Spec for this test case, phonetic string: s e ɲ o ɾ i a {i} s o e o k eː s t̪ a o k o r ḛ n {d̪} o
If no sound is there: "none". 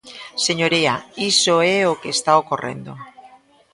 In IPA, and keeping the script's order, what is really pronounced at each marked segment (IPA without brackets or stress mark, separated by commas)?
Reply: i, d̪